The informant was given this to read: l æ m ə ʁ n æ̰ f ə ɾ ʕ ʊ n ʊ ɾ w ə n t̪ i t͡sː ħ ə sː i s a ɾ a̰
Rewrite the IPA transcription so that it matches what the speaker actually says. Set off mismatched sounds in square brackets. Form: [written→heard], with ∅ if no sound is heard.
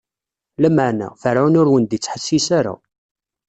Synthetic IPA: l æ m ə [ʁ→ʕ] n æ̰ f ə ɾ ʕ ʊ n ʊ ɾ w ə n [t̪→d̪] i t͡sː ħ ə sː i s a ɾ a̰